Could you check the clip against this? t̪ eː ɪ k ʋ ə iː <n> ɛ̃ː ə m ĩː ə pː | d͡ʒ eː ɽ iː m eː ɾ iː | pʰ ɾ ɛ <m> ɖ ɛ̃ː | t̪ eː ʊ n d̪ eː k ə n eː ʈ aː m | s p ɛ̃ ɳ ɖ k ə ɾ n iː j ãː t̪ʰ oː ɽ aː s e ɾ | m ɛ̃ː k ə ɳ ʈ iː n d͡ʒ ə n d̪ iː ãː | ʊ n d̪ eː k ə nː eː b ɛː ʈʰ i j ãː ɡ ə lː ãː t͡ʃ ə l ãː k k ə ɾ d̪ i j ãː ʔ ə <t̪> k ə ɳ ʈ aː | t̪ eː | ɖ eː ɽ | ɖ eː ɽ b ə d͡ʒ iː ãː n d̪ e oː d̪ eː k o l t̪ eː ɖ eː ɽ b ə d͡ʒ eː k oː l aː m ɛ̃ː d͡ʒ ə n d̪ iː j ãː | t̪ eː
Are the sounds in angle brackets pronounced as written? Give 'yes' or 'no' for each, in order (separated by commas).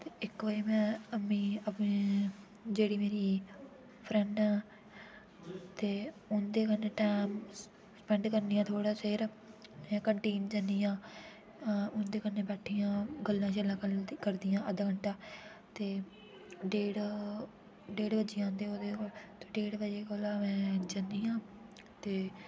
no, no, no